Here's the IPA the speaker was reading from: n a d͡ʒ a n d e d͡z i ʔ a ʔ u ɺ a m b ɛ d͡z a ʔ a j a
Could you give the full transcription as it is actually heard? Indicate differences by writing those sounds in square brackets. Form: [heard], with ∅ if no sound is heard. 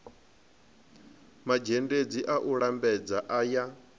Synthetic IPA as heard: [m] a d͡ʒ [e] n d e d͡z i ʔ a ʔ u ɺ a m b ɛ d͡z a ʔ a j a